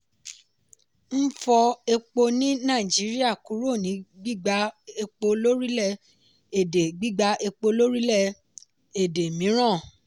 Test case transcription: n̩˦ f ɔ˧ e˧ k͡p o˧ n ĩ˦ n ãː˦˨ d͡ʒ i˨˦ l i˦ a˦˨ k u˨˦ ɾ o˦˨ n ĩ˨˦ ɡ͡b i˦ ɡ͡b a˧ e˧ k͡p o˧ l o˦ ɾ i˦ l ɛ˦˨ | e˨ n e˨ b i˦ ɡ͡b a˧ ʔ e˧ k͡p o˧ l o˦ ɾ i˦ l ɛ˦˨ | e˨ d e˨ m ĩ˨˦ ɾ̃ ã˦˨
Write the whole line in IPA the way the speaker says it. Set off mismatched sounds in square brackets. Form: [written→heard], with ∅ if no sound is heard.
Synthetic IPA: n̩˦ f ɔ˧ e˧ k͡p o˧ n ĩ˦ n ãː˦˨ d͡ʒ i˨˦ [l→ɾ] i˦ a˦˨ k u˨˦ ɾ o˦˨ n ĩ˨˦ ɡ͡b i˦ ɡ͡b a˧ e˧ k͡p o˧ l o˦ ɾ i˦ l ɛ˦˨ | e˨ [n→d] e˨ [b→ɡ͡b] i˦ ɡ͡b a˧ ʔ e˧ k͡p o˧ l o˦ ɾ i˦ l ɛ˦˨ | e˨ d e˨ m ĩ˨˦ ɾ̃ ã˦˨